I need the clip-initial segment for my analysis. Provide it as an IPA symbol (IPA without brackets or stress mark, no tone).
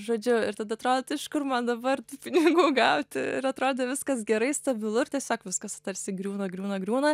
ʒ